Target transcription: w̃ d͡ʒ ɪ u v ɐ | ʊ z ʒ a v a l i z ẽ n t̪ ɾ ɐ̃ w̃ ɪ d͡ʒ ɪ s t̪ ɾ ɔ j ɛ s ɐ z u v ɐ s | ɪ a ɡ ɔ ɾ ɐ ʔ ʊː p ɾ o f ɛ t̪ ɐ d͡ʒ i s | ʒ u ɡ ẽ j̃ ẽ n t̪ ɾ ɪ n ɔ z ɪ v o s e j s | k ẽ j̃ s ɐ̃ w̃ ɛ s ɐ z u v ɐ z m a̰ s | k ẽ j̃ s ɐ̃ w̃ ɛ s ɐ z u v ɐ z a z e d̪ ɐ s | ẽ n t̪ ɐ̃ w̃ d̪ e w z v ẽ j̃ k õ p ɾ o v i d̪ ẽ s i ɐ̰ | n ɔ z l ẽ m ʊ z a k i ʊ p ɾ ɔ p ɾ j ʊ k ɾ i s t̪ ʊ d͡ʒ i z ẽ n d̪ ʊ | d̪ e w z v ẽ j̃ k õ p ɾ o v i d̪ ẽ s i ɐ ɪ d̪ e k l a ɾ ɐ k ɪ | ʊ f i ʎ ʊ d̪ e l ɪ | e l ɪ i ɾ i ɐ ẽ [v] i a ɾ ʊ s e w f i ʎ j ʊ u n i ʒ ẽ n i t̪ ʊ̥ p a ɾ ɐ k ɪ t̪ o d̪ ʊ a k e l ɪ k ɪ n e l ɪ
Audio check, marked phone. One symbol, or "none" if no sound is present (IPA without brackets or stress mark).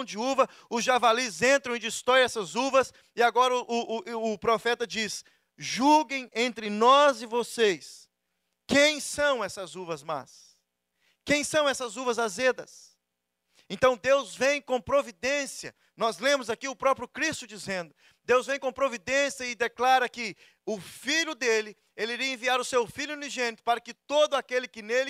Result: v